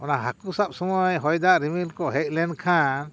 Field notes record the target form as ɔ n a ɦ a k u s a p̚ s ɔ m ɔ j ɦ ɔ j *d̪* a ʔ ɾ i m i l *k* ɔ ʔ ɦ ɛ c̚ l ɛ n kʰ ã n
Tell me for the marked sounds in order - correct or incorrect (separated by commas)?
correct, correct